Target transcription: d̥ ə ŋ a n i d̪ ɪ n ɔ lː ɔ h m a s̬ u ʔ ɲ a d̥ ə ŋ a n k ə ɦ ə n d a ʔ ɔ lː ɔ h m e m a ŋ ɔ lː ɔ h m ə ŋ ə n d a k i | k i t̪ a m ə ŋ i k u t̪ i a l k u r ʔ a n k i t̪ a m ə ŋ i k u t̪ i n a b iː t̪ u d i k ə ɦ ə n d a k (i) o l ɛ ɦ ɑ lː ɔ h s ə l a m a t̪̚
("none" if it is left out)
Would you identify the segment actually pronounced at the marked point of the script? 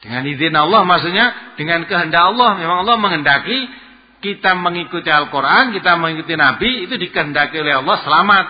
i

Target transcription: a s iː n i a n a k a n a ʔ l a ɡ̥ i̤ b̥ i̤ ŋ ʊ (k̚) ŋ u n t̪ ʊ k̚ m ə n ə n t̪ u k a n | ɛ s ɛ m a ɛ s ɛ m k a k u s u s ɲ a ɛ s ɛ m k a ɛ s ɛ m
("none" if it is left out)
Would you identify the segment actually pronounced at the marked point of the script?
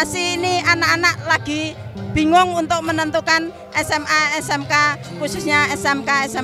none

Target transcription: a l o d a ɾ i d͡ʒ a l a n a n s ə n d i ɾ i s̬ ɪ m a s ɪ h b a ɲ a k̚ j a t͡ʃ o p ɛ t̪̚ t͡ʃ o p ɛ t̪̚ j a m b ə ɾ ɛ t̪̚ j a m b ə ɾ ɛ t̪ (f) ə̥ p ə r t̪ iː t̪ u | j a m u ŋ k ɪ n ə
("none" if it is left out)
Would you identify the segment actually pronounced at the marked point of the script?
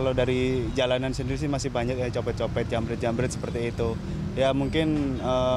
s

